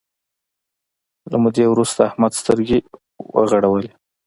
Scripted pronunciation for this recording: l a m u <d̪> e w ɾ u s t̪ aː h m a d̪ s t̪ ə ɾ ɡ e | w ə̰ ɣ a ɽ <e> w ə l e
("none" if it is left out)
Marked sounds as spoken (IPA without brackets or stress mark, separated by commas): d̪, a